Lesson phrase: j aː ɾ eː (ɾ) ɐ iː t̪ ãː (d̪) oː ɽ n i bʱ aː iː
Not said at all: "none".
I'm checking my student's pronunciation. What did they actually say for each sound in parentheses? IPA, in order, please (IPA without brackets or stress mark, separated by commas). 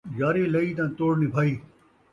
l, t̪